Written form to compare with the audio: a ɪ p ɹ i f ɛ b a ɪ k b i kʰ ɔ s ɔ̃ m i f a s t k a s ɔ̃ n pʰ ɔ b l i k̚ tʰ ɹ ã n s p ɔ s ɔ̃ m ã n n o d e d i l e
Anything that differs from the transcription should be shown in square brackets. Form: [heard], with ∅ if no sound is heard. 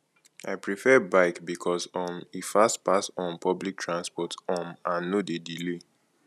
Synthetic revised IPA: a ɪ p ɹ i f ɛ b a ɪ k b i kʰ ɔ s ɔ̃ m i f a s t [p] a s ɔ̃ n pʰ ɔ b l i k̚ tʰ ɹ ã n s p ɔ [t] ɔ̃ m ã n n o d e d i l e